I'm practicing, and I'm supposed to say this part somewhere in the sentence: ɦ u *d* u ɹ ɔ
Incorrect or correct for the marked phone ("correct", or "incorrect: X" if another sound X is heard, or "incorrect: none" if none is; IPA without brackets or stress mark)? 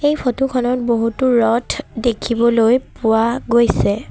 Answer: incorrect: t